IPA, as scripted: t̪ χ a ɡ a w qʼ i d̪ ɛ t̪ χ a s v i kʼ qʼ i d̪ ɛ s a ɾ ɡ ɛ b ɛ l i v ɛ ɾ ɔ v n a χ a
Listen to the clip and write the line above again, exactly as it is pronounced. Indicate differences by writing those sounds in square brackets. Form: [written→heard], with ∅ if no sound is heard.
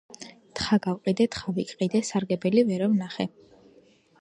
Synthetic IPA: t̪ χ a ɡ a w qʼ i d̪ ɛ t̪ χ a [s→∅] v i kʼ qʼ i d̪ ɛ s a ɾ ɡ ɛ b ɛ l i v ɛ ɾ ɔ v n a χ [a→ɛ]